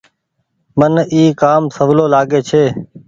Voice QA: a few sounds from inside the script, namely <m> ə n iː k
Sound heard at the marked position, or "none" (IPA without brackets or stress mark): m